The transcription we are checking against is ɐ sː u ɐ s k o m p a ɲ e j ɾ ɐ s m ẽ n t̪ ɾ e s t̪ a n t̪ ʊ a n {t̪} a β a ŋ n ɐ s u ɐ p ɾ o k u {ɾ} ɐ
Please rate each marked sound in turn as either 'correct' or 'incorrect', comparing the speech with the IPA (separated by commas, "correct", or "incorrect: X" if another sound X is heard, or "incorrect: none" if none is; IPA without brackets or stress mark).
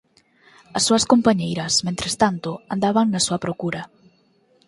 incorrect: d̪, correct